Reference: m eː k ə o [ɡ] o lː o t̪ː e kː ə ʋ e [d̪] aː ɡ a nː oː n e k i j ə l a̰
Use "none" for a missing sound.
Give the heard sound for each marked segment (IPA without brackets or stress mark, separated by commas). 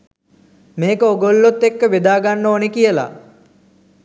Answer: ɡ, d̪